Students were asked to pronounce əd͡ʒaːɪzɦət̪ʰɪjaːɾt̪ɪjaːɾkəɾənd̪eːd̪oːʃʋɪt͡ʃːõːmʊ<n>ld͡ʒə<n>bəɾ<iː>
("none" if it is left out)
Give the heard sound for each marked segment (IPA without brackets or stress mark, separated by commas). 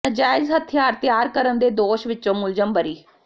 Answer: none, m, iː